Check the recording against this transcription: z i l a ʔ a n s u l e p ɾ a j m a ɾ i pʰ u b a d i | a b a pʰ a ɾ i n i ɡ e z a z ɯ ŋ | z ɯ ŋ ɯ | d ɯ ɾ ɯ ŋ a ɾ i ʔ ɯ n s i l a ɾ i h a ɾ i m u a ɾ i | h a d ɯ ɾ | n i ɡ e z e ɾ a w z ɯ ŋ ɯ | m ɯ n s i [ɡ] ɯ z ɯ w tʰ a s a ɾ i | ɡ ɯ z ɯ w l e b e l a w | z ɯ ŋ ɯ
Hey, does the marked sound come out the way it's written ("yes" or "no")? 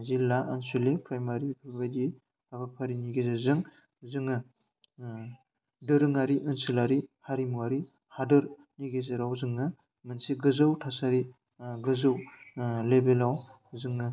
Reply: yes